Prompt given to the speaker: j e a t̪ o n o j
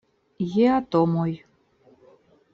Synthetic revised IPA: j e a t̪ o m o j